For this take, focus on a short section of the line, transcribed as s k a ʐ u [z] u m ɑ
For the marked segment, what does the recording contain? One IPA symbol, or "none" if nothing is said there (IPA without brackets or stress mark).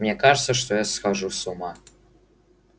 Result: s